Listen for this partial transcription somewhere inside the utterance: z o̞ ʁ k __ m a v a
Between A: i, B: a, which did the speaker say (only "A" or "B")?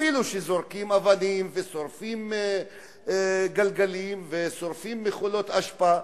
A